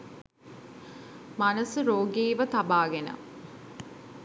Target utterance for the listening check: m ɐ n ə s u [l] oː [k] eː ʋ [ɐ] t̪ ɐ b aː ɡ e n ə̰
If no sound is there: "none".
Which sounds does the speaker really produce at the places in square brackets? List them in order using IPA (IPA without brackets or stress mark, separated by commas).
ɾ, ɡ, ə